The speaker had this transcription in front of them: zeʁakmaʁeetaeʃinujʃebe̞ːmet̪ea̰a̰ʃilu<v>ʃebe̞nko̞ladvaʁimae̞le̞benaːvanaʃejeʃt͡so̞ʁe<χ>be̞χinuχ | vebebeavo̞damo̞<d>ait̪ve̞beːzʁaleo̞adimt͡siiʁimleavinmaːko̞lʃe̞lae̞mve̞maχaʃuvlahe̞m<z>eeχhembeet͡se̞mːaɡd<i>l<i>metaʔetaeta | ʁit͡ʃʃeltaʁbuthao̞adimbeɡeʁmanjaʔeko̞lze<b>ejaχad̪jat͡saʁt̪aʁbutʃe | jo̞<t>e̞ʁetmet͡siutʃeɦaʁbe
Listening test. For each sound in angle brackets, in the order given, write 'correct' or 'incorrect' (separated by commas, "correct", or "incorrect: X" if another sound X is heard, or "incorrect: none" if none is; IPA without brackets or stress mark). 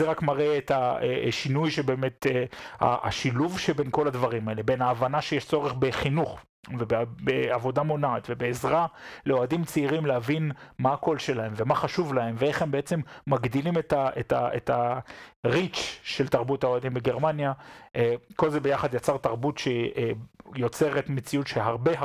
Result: correct, correct, incorrect: n, incorrect: v, correct, correct, correct, incorrect: t͡s